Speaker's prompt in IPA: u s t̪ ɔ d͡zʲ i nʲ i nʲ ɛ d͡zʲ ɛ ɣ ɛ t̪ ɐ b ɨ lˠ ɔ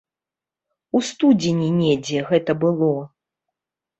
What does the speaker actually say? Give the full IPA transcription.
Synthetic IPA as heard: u s t̪ u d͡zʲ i nʲ i nʲ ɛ d͡zʲ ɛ ɣ ɛ t̪ ɐ b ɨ lˠ ɔ